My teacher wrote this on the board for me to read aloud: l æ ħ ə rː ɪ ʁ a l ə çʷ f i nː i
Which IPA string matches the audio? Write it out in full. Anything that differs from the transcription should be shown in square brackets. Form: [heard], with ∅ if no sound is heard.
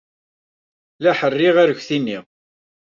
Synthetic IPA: l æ ħ ə rː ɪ ʁ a [ɾ] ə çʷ [θ] i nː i

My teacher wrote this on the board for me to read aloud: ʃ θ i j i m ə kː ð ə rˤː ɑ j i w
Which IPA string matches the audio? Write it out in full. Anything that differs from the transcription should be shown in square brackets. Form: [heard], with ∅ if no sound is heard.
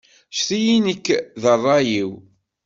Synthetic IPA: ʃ θ i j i [n] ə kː ð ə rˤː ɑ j i w

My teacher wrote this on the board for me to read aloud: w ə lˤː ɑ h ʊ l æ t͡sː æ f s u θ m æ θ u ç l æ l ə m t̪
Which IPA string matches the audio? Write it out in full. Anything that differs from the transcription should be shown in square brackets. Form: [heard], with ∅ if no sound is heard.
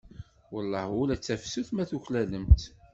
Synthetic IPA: w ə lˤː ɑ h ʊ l æ t͡sː æ f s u θ m æ θ u ç l æ l ə m t̪

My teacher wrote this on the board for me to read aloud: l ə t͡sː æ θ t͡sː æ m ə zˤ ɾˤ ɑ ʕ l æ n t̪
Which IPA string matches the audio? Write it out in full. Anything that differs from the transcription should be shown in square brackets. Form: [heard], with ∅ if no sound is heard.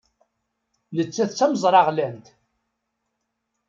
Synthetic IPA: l ə t͡sː æ θ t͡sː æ m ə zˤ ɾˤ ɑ [ʁ] l æ n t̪

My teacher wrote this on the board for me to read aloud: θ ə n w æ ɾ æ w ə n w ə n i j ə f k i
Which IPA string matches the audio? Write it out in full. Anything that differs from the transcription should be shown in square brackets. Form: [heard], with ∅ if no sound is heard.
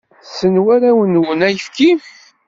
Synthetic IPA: [s] ə n w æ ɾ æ w ə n w ə n [æ] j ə f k i

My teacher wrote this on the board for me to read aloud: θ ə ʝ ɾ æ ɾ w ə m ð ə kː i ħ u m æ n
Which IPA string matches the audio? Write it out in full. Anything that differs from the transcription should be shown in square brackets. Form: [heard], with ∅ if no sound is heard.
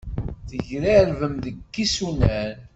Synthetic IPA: θ ə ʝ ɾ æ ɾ [v] ə m ð ə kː i [s] u [n] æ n

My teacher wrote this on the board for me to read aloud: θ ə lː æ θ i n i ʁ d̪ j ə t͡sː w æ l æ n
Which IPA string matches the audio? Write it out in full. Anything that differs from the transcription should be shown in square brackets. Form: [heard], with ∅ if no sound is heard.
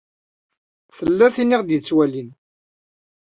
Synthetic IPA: θ ə lː æ θ i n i ʁ d̪ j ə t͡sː w æ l [i] n

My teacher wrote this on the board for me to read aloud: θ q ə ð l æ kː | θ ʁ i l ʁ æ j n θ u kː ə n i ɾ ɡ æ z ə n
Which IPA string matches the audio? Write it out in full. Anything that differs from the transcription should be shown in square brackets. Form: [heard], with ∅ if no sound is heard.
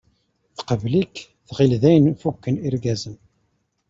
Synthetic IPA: θ q ə [v] l [i] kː | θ ʁ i l [ð] æ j n [f] u kː ə n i ɾ ɡ æ z ə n

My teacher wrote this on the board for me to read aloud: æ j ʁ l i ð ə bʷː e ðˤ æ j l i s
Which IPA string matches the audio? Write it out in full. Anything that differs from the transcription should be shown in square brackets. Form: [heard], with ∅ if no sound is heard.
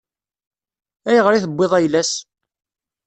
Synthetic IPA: æ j ʁ [ɾ] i [θ] ə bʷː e ðˤ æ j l [æ] s

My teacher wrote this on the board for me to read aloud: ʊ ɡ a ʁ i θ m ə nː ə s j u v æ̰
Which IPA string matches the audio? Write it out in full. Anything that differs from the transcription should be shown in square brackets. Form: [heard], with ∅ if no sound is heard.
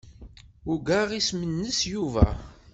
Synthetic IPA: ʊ ɡ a ʁ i [s] m ə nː ə s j u v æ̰

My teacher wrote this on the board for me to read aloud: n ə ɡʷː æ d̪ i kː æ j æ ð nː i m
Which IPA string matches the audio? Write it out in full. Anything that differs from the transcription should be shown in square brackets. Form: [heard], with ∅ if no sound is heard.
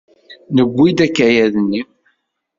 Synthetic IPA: n ə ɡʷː [i] d̪ [æ] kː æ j æ ð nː i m

